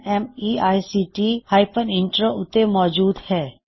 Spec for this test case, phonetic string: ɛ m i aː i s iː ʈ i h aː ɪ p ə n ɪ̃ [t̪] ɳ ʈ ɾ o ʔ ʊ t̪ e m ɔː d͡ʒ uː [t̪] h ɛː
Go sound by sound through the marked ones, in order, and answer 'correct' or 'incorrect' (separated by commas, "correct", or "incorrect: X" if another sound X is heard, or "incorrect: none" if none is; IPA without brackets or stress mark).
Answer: incorrect: none, incorrect: d̪